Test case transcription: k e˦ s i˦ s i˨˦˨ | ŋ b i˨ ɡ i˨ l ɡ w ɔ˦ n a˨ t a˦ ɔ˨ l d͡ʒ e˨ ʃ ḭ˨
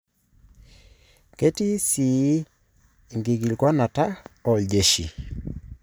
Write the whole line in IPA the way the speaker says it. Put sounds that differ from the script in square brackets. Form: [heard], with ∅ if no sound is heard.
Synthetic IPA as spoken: k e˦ [t] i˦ s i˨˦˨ | ŋ [ɡ] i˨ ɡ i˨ l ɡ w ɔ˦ n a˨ t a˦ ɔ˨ l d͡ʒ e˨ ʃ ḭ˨